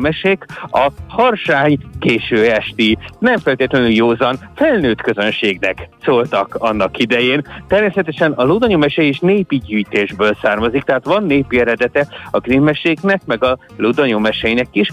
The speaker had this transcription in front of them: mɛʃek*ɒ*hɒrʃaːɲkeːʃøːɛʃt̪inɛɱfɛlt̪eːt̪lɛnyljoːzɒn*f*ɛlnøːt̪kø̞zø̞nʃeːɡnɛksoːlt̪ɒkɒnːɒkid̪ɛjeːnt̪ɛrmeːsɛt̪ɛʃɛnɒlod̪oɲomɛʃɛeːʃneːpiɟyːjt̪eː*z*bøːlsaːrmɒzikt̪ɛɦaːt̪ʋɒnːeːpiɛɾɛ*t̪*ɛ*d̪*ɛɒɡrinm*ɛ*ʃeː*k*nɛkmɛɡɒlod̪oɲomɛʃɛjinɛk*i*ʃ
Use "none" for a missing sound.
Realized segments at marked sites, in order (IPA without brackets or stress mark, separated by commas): ɒ, f, ʒ, d̪, t̪, ɛ, k, i